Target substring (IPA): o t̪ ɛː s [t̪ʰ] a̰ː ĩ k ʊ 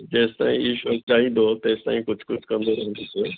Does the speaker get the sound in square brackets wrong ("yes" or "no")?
yes